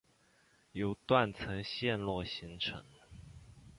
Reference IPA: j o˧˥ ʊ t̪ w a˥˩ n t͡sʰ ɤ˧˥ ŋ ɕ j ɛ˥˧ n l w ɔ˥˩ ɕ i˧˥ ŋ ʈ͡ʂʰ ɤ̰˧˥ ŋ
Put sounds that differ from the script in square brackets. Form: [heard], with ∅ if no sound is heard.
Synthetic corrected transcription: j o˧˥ ʊ t̪ w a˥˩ n t͡sʰ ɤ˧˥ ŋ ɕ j ɛ˥˧ n l w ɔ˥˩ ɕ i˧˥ ŋ ʈ͡ʂʰ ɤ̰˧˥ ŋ